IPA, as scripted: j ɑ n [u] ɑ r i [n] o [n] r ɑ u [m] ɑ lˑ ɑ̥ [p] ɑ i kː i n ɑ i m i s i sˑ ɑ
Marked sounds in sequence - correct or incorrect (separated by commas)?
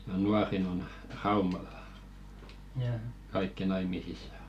correct, correct, correct, correct, incorrect